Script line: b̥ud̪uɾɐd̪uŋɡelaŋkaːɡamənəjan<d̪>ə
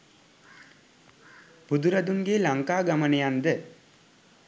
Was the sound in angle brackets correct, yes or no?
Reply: yes